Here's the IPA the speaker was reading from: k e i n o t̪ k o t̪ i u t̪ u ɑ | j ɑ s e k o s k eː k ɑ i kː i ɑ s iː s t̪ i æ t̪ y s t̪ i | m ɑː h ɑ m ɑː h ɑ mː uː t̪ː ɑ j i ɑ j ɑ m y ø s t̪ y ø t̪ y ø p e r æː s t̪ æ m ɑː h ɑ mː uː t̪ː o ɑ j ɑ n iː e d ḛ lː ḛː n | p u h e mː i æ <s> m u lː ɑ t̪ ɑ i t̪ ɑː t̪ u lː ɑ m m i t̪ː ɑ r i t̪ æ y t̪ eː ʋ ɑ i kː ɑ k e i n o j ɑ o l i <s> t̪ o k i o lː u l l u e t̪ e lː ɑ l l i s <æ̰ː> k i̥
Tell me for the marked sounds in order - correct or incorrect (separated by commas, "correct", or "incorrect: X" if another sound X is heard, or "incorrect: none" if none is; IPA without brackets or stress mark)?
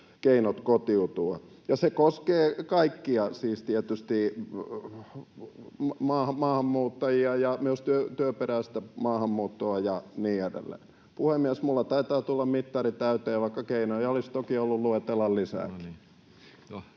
correct, correct, correct